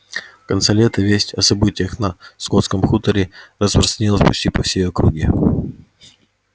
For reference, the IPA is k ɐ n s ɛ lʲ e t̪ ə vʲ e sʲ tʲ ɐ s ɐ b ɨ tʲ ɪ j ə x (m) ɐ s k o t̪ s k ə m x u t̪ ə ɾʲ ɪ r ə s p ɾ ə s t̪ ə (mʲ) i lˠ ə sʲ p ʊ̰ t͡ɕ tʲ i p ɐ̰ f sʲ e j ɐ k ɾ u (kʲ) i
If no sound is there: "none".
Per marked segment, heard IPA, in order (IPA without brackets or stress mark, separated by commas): n, nʲ, ɡʲ